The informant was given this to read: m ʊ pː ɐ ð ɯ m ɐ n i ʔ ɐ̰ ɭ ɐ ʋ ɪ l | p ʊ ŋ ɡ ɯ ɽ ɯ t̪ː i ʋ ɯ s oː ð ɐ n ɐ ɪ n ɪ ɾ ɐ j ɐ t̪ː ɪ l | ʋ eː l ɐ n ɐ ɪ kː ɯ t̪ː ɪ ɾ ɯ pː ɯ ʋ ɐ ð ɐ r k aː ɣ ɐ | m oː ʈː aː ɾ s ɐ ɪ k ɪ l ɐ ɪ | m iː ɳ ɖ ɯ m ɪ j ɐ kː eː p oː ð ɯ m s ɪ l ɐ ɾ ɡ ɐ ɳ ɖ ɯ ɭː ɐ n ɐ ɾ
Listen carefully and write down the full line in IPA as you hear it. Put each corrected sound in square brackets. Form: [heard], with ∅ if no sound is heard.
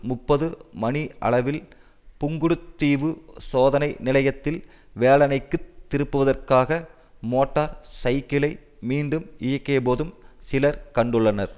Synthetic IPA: m ʊ pː ɐ ð ɯ m ɐ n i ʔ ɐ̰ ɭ ɐ ʋ ɪ l | p ʊ ŋ ɡ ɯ ɽ ɯ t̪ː [iː] ʋ ɯ s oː ð ɐ n ɐ ɪ n ɪ [l] ɐ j ɐ t̪ː ɪ l | ʋ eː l ɐ n ɐ ɪ kː ɯ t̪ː ɪ ɾ ɯ pː ɯ ʋ ɐ ð ɐ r k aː ɣ ɐ | m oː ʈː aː ɾ s ɐ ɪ k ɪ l ɐ ɪ | m iː ɳ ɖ ɯ m ɪ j ɐ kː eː p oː ð ɯ m s ɪ l ɐ ɾ [k] ɐ ɳ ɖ ɯ ɭː ɐ n ɐ ɾ